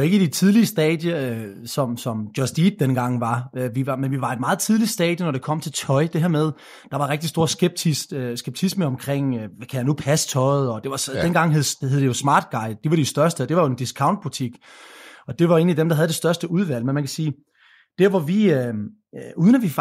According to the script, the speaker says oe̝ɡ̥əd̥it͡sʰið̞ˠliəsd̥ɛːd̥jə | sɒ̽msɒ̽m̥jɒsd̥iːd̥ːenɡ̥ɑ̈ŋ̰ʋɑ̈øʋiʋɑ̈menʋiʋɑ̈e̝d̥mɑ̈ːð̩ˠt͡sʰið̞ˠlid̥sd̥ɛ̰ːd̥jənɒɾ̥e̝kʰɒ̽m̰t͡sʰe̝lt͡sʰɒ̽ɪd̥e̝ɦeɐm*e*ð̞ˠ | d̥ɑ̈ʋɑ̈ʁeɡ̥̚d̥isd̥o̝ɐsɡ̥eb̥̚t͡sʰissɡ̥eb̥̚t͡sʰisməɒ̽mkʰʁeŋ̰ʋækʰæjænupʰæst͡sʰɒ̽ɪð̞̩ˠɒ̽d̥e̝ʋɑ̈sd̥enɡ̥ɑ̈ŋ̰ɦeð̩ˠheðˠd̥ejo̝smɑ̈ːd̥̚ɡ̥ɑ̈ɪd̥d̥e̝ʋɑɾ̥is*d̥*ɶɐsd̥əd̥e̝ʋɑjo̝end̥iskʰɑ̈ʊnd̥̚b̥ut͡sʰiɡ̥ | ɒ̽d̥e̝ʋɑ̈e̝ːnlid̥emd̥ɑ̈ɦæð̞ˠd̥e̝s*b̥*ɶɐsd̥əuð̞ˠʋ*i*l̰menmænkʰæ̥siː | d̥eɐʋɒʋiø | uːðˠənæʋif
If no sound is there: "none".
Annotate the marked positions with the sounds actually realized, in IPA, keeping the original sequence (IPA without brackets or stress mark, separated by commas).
e, d̥, d̥, æ